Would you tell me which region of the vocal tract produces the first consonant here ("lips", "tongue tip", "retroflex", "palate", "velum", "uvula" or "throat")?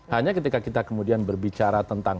throat